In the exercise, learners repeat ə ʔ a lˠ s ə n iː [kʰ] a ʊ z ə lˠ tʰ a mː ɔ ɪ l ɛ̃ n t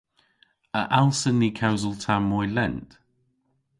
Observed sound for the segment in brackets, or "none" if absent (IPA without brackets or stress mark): kʰ